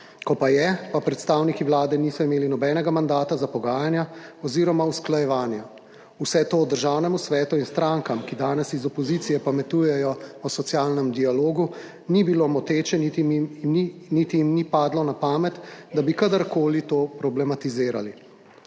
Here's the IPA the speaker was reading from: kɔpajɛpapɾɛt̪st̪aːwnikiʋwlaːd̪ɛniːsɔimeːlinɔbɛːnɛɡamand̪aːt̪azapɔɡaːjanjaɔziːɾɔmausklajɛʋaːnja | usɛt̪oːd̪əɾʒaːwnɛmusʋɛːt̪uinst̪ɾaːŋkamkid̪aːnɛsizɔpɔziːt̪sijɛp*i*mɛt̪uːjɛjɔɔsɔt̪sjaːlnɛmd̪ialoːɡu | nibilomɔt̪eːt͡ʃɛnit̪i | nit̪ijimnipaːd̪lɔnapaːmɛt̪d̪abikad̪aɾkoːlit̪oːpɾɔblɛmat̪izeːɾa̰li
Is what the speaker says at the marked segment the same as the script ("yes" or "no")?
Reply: no